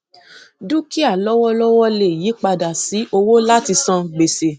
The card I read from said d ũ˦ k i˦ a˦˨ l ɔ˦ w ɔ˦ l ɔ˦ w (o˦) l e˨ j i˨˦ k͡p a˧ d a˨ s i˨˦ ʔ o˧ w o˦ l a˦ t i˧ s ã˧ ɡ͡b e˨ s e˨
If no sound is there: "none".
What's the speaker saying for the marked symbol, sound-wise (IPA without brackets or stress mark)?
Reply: ɔ˦